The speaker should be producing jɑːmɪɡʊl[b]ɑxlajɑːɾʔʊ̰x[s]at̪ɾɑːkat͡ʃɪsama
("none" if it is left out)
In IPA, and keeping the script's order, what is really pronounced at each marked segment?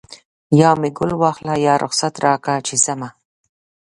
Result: w, s

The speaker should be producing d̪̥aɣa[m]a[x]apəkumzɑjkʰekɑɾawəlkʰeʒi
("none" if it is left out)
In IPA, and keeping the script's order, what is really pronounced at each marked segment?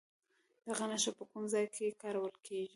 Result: n, ʃ

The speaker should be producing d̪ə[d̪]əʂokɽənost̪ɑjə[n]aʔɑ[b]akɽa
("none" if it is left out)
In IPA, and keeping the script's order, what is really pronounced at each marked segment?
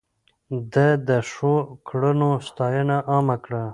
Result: d̪, n, m

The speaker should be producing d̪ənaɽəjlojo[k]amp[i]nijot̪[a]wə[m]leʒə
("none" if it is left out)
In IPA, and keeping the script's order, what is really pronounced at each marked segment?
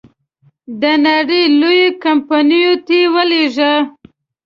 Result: k, a, e, none

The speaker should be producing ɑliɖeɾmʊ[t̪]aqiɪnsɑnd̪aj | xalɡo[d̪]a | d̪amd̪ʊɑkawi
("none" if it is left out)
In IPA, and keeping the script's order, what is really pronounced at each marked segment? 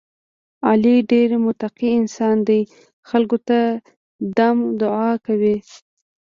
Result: t̪, t̪

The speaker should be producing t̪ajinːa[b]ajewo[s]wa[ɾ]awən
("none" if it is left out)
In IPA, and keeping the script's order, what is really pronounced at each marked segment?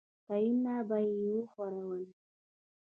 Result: b, x, ɾ

